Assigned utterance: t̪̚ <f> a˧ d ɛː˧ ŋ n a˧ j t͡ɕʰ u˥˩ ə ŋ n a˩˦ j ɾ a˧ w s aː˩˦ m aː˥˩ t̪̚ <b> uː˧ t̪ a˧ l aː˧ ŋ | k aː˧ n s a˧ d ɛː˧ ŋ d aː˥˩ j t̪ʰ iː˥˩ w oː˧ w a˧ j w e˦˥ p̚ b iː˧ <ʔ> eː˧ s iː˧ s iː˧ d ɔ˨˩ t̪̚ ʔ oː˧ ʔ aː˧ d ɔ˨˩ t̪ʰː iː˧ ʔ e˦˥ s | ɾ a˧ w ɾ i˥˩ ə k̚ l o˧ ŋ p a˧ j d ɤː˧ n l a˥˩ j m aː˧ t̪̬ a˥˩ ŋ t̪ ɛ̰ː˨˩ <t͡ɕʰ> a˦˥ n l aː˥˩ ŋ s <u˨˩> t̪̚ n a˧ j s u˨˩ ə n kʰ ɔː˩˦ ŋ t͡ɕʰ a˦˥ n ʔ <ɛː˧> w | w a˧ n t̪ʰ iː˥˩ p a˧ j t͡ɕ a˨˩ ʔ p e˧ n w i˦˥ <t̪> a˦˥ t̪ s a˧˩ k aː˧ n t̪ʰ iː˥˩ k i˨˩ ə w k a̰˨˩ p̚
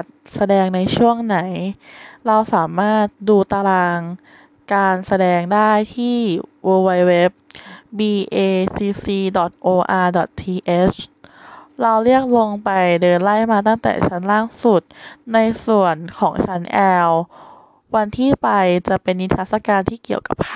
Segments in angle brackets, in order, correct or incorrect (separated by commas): incorrect, incorrect, correct, correct, correct, correct, incorrect